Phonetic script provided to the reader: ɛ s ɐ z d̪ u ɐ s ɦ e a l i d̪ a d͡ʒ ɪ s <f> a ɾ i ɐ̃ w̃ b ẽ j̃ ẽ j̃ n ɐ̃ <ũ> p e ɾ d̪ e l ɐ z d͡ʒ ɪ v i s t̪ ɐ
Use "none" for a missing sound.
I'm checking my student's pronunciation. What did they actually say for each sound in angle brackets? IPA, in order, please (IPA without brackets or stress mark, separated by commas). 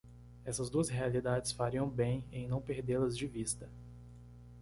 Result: f, w̃